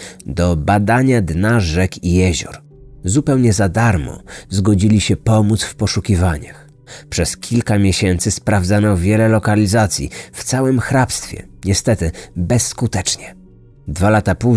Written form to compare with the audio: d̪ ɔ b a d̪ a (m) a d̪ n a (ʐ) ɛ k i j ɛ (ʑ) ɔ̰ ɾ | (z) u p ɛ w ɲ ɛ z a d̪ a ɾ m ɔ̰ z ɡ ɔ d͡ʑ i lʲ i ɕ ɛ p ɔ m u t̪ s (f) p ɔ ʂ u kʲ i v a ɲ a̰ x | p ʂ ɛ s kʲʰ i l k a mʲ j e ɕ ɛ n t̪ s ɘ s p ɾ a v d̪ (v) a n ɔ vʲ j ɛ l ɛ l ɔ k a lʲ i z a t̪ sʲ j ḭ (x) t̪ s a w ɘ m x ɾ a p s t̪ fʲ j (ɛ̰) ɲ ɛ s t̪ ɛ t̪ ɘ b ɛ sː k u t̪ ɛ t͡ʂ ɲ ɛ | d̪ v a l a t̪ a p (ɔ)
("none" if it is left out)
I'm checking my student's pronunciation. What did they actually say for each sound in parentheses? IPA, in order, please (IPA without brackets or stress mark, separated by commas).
ɲ, ʐ, ʑ, z, f, z, f, ɛ̰, u